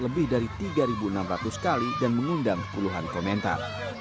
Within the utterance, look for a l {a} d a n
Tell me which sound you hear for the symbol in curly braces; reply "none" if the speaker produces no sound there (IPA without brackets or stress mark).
i